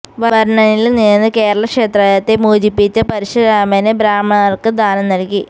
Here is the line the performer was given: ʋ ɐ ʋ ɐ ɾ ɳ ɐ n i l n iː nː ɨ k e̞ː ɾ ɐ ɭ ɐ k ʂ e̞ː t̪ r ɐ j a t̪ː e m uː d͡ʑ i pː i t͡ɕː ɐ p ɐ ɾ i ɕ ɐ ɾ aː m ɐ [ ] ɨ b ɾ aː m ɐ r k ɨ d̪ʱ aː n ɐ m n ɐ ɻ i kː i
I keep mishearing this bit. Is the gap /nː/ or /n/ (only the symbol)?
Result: n